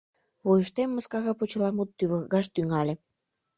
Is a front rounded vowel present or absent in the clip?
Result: present